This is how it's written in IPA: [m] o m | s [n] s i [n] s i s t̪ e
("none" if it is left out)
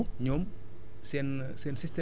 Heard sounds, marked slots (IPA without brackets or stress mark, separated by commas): ɲ, n, n